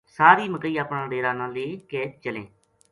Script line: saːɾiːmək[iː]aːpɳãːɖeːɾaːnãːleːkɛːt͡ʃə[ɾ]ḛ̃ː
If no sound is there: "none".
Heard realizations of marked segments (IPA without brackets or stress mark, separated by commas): iː, l